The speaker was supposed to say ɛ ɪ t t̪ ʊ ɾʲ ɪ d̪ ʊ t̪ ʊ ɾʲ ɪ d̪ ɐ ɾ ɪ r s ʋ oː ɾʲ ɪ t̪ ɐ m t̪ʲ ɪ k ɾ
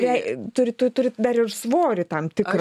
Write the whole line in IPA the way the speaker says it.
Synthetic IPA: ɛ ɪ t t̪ ʊ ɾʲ ɪ t̪ ʊ t̪ ʊ ɾʲ ɪ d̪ ɐ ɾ ɪ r s ʋ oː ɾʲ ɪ t̪ ɐ m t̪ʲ ɪ k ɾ